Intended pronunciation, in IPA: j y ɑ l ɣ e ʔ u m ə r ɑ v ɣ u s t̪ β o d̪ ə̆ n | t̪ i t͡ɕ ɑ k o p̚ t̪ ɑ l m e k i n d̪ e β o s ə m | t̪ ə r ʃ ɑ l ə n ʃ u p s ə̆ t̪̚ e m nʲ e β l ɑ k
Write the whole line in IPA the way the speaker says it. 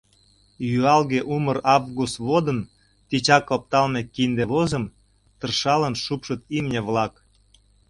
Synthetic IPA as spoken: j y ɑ l ɣ e ʔ u m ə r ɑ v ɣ u s t̪ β o d̪ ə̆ n | t̪ i t͡ɕ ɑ k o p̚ t̪ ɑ l m e k i n d̪ e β o z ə m | t̪ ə r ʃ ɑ l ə n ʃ u p ʃ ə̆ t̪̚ i m nʲ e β l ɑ k